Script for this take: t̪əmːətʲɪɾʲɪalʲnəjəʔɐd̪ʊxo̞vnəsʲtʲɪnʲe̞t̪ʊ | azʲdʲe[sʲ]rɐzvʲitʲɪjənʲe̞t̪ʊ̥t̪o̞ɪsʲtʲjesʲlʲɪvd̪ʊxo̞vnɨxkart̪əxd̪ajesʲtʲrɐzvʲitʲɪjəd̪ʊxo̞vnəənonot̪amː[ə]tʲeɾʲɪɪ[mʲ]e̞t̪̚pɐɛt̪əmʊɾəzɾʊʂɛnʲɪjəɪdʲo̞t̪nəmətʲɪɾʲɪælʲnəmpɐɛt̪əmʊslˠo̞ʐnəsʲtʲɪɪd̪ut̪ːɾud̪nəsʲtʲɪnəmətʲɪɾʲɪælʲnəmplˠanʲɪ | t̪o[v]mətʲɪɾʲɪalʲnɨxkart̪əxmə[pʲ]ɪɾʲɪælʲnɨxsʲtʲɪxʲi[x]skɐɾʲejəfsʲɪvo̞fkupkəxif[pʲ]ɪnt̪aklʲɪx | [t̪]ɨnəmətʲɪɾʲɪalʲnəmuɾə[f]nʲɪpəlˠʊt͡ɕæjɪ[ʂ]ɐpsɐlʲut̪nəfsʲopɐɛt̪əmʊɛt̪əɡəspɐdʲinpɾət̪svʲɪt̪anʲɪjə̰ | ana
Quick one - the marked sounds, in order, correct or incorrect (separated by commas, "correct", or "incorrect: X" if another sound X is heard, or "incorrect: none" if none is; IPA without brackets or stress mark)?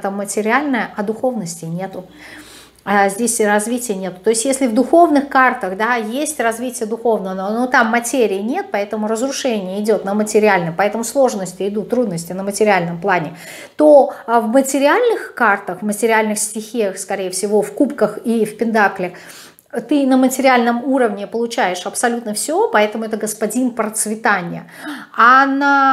correct, incorrect: ɐ, incorrect: nʲ, correct, incorrect: tʲ, correct, correct, correct, incorrect: v, correct